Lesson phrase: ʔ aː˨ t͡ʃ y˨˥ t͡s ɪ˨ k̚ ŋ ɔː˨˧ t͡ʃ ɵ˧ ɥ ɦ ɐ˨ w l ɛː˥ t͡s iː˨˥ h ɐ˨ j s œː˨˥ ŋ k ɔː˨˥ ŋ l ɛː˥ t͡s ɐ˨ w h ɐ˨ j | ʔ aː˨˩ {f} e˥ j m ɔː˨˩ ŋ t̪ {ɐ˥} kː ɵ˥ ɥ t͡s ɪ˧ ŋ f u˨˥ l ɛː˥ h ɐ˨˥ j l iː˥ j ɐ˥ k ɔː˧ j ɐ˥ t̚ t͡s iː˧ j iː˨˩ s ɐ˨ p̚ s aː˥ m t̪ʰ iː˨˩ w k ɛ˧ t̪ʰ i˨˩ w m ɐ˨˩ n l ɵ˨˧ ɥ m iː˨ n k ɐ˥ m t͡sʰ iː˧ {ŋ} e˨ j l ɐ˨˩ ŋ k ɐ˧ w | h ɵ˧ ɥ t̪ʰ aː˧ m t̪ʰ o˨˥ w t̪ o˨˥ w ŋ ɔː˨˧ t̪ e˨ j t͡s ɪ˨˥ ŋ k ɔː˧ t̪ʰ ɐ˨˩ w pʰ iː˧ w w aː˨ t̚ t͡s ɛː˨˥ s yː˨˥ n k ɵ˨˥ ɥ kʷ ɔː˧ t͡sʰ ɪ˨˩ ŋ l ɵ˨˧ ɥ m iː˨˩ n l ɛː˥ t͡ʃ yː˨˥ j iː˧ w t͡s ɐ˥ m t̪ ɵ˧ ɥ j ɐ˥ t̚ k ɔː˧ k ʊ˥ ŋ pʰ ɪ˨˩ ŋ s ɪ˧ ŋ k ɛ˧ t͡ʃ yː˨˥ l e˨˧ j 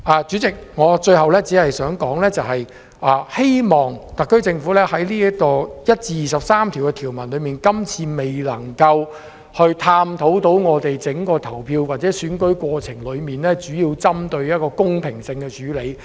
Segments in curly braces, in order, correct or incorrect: incorrect: h, incorrect: ɐ˨, incorrect: m

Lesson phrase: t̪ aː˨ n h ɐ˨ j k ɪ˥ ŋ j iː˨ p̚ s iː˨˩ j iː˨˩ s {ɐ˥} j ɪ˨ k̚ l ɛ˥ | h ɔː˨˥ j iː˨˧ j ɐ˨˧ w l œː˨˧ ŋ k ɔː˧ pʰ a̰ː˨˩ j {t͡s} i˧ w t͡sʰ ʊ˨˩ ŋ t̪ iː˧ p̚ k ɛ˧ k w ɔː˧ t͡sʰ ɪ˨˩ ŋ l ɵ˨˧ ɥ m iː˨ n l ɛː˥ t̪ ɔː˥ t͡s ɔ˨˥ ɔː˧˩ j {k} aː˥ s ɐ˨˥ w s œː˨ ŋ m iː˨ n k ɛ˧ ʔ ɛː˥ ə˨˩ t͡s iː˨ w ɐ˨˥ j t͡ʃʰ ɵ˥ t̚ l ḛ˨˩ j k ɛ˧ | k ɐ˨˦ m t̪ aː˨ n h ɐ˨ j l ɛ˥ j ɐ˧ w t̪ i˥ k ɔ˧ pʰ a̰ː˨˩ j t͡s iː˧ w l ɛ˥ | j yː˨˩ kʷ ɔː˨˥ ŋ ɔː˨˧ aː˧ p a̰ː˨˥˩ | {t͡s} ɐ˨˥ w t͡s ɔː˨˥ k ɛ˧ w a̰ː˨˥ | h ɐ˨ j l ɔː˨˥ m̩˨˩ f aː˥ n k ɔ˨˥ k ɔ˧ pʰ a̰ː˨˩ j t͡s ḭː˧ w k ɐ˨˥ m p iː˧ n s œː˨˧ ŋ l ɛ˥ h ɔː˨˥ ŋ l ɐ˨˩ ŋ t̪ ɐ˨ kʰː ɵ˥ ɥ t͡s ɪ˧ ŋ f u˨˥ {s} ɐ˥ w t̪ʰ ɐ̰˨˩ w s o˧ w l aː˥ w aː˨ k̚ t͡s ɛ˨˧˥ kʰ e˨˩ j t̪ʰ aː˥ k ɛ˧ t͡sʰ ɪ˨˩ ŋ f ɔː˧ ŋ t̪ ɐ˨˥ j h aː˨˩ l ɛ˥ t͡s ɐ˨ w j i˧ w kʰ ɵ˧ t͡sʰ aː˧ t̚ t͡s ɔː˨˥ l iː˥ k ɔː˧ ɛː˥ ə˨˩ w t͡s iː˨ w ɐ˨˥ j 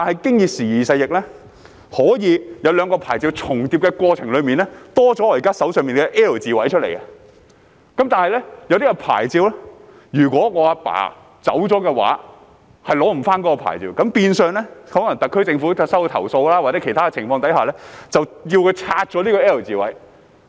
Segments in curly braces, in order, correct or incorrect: incorrect: ɐ˧, correct, correct, correct, correct

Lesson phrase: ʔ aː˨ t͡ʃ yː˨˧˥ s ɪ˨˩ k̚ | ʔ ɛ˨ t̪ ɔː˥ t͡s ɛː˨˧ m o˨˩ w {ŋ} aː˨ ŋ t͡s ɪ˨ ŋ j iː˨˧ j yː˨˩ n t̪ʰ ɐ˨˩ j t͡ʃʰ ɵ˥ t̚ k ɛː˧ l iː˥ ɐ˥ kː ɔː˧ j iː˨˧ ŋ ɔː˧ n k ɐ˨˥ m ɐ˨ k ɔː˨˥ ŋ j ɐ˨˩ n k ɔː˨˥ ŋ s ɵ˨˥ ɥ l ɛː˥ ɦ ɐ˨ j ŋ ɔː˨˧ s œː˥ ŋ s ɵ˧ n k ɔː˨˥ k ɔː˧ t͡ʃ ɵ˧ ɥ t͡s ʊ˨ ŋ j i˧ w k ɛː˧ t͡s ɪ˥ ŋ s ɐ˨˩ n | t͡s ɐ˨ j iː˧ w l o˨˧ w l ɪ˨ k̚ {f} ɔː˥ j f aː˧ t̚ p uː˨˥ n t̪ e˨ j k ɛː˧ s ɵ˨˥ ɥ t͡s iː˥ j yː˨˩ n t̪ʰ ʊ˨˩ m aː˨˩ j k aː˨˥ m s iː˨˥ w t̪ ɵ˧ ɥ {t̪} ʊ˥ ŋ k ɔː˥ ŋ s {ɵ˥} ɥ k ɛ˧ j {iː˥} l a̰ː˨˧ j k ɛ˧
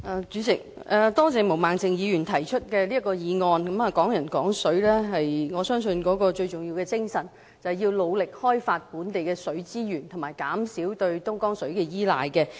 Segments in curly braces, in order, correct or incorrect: incorrect: m, incorrect: h, correct, incorrect: ɵ˨˥, correct

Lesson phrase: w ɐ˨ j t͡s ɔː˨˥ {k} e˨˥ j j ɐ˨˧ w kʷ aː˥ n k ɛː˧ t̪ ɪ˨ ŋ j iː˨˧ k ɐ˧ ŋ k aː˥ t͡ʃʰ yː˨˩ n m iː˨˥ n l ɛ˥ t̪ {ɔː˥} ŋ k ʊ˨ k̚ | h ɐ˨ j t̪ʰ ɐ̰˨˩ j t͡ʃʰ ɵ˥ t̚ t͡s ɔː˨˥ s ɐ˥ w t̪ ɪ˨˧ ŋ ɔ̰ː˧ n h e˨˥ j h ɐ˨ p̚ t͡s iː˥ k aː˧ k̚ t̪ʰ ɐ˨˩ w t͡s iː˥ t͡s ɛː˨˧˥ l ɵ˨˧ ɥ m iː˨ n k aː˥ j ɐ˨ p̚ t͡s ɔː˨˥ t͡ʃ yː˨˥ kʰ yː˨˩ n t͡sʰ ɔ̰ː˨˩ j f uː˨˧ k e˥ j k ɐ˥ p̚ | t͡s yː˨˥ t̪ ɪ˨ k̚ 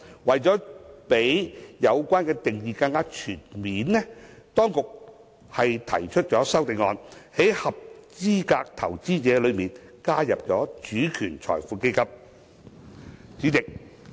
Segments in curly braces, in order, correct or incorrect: incorrect: p, correct

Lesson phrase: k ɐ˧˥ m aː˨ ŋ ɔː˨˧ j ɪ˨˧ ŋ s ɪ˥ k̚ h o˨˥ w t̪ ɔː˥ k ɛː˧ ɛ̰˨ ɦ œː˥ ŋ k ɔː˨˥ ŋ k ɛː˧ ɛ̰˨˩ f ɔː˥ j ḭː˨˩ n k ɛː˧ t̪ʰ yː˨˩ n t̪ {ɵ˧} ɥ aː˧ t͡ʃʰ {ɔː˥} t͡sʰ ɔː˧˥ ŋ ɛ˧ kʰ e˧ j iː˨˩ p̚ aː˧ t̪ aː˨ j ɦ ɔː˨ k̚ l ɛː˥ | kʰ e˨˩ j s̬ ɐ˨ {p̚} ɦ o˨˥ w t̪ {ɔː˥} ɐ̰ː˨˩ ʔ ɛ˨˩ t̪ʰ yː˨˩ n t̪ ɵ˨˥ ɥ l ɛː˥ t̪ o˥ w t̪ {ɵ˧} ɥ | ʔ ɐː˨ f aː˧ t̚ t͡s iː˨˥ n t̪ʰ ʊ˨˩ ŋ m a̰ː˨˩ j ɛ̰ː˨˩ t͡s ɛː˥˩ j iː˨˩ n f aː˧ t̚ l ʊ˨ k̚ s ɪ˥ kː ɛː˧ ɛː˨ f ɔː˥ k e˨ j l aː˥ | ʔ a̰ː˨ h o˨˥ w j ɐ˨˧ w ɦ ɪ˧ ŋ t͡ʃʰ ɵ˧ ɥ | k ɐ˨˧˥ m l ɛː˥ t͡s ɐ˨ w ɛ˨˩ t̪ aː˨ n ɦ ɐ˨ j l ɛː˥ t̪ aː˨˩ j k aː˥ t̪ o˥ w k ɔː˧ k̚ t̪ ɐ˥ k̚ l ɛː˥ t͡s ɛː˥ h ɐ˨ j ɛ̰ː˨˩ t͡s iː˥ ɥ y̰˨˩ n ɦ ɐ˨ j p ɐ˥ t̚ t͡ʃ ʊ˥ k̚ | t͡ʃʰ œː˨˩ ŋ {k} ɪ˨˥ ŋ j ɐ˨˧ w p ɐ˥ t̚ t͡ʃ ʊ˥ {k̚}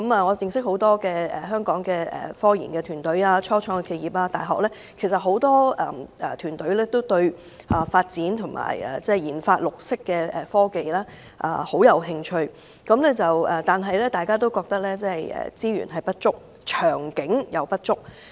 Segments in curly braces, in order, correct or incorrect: incorrect: ɵ˨˥, correct, incorrect: t̚, correct, correct, correct, correct

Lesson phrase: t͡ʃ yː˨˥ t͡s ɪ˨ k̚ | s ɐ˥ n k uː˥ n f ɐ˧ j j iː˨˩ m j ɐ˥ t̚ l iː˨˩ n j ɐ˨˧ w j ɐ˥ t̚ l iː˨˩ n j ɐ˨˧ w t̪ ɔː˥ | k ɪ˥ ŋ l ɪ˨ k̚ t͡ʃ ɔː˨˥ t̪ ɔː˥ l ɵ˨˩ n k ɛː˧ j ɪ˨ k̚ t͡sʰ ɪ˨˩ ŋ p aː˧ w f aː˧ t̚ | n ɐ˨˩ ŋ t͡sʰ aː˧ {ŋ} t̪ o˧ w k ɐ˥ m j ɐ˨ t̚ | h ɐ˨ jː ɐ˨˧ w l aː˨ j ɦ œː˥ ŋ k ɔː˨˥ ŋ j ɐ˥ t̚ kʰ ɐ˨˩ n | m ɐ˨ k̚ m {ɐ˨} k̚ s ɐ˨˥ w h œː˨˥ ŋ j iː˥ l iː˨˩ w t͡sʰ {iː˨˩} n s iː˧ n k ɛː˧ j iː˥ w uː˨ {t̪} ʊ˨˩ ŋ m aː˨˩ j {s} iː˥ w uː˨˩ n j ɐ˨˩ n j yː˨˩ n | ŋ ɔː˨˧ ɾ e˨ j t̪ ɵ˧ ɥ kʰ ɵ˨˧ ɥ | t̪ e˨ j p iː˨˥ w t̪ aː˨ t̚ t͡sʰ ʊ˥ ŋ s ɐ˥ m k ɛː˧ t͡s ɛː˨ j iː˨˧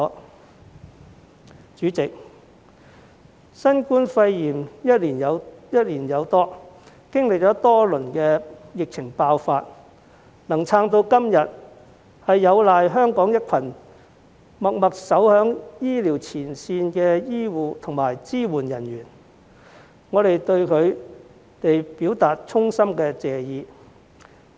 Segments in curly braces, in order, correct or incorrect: correct, correct, correct, incorrect: t̪ʰ, incorrect: t͡s

